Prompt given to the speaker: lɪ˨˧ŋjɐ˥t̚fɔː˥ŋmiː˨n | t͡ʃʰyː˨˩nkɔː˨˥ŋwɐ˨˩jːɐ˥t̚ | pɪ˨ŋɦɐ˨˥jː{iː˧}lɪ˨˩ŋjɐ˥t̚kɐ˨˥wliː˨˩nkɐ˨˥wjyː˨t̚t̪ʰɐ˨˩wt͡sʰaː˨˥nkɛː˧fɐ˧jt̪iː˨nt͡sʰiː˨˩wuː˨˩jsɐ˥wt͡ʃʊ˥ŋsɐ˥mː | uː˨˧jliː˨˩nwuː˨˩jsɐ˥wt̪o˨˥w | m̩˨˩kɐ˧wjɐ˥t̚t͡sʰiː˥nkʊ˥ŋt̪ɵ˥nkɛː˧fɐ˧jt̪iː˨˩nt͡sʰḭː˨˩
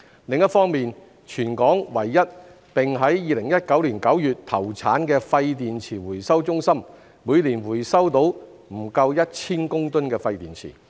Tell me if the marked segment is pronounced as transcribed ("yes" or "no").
yes